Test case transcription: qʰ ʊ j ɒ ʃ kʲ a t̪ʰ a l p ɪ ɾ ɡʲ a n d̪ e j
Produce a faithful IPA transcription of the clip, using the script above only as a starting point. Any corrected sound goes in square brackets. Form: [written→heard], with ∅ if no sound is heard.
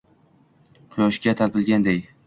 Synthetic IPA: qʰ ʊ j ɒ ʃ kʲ a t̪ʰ a l p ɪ [ɾ→l] ɡʲ a n d̪ e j